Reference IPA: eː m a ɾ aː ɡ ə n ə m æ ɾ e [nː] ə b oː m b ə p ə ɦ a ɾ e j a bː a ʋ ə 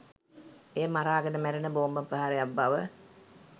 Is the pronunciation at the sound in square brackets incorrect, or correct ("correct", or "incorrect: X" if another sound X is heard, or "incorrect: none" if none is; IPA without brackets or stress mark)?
incorrect: n